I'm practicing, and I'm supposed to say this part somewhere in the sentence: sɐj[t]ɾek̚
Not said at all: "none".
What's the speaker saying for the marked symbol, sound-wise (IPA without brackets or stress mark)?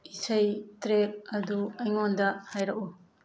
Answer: t